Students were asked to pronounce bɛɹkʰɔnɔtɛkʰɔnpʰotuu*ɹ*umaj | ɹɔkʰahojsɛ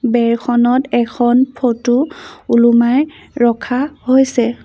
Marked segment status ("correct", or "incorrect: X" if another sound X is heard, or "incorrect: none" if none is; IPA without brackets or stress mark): incorrect: l